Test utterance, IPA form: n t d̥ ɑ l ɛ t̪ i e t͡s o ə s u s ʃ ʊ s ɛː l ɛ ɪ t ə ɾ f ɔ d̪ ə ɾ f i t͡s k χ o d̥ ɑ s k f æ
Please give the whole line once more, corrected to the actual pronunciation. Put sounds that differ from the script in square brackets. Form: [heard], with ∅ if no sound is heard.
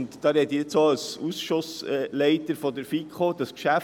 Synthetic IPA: n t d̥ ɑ [ɾ] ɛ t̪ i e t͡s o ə s u s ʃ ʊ s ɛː l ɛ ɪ t ə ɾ f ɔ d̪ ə ɾ f i [∅] k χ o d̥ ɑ s k [ʃ] æ